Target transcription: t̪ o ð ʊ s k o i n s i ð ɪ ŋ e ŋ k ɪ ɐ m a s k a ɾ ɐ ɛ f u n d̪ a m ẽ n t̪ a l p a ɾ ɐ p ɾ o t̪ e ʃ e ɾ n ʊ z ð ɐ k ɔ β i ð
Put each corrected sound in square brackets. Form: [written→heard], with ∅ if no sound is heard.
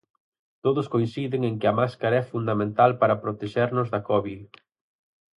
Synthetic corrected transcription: t̪ o ð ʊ s k o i n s i ð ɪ ŋ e ŋ k ɪ ɐ m a s k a ɾ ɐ ɛ f u n d̪ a m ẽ n t̪ a l p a ɾ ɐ p ɾ o t̪ e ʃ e ɾ n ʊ z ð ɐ k ɔ β i ð